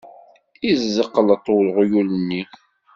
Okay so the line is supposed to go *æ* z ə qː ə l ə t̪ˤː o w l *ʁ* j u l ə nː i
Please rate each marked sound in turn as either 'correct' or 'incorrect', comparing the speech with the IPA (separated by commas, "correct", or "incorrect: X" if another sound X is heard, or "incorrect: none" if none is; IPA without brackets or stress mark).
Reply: incorrect: i, correct